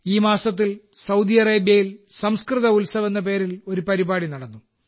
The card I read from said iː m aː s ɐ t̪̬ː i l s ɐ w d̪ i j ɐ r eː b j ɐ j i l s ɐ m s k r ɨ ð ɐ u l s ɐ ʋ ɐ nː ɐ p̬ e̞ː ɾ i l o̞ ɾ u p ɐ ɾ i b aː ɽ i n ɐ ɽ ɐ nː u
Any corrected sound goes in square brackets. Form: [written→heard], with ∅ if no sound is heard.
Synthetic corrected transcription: iː m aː s ɐ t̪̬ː i l s ɐ w d̪ i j ɐ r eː b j ɐ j i l s ɐ m s k r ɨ ð ɐ u l s ɐ ʋ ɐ nː ɐ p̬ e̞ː ɾ i l o̞ ɾ u p ɐ ɾ i b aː ɽ i n ɐ ɽ ɐ nː u

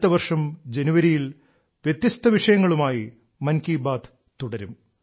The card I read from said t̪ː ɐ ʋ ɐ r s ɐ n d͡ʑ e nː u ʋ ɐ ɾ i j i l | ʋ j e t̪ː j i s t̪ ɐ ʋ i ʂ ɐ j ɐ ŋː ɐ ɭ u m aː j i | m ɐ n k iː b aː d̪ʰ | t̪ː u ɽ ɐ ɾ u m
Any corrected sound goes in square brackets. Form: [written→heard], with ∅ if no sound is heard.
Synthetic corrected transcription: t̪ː ɐ ʋ ɐ r [s→ʂ] ɐ [n→m] d͡ʑ e [nː→n] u ʋ ɐ ɾ i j i l | ʋ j e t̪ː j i s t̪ ɐ ʋ i ʂ ɐ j ɐ ŋː ɐ ɭ u m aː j i | m ɐ n k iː b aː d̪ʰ | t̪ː u ɽ ɐ ɾ u m

